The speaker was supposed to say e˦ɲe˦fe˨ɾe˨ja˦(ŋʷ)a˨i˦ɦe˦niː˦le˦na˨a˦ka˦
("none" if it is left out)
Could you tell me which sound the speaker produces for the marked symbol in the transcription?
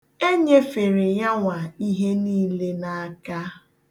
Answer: ŋʷ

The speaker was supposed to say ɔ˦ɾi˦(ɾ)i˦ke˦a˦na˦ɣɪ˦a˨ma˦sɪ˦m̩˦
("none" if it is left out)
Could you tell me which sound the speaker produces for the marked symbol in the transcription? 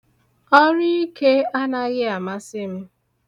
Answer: none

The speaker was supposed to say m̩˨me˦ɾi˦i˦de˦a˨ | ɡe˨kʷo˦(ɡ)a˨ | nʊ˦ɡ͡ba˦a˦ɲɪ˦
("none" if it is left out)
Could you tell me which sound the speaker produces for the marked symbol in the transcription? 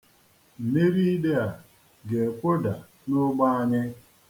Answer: d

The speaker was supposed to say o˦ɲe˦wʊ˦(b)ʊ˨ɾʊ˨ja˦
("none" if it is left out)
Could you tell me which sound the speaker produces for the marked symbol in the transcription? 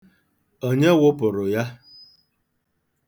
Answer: p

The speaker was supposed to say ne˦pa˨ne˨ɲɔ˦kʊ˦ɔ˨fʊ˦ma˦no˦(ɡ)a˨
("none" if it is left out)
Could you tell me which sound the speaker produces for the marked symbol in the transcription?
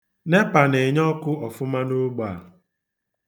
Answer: ɡ͡b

